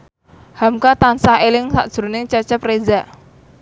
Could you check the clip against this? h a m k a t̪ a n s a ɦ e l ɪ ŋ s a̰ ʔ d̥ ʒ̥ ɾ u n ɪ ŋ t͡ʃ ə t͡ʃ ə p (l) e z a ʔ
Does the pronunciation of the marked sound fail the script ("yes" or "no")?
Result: yes